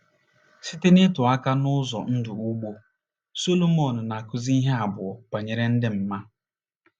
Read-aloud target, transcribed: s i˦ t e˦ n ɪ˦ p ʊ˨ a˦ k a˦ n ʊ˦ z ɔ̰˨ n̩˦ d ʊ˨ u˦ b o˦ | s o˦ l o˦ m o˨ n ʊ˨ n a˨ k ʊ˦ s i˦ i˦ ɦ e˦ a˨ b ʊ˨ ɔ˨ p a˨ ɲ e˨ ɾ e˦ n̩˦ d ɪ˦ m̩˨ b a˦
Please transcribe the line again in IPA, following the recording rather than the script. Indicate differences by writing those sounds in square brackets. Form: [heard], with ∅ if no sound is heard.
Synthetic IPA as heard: s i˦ t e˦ n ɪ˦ [t] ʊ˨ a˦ k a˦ n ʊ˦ z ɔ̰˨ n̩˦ d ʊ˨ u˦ [ɡ͡b] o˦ | s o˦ l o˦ m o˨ n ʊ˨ n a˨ k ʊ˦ [z] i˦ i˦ ɦ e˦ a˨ b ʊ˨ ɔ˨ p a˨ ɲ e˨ ɾ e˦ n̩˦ d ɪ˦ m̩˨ [m] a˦